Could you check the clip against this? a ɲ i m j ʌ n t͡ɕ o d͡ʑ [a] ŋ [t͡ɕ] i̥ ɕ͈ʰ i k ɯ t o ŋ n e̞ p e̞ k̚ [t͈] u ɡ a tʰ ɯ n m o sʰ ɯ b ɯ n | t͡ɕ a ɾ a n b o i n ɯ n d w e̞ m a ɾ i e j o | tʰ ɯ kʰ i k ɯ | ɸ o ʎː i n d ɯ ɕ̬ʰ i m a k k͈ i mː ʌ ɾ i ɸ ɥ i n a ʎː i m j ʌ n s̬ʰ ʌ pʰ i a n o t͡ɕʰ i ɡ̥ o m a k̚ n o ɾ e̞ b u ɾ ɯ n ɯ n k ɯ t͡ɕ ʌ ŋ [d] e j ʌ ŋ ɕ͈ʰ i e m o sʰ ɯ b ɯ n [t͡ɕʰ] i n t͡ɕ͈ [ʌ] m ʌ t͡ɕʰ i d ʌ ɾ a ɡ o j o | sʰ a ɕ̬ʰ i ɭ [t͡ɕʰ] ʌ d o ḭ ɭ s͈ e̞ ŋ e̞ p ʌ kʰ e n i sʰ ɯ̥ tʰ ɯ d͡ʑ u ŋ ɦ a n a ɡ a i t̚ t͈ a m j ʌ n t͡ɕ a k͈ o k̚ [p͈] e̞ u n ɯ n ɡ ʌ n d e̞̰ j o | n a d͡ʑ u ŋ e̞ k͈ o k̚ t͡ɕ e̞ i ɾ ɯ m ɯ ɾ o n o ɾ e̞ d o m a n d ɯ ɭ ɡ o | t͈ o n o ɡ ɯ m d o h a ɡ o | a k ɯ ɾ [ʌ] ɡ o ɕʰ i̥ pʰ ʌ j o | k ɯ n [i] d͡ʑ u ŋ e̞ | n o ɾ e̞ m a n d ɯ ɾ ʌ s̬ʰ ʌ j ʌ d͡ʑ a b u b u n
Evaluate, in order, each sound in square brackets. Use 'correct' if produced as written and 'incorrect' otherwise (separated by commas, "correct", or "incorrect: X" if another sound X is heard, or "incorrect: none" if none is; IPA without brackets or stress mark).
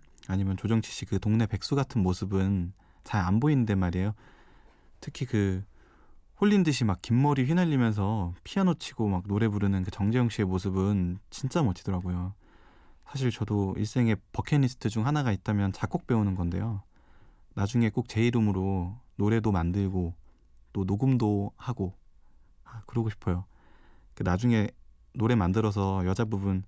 incorrect: ʌ, incorrect: t͡ɕʰ, incorrect: s͈, incorrect: d͡ʑ, incorrect: t͡ɕ, incorrect: a, incorrect: t͡ɕ, correct, correct, incorrect: a